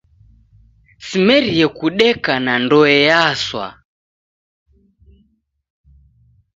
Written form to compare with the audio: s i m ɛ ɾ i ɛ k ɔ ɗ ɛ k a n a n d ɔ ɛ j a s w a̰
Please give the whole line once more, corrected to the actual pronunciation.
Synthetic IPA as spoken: s i m ɛ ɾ i ɛ k u ɗ ɛ k a n a n d ɔ ɛ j a s w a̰